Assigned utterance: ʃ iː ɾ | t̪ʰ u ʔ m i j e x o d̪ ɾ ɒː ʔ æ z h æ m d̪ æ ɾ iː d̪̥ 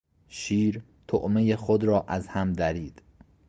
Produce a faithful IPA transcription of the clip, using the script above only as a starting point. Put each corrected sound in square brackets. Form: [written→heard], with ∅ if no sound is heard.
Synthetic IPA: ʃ iː ɾ | t̪ʰ [u→o] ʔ m [i→e] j e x o d̪ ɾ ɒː ʔ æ z h æ m d̪ æ ɾ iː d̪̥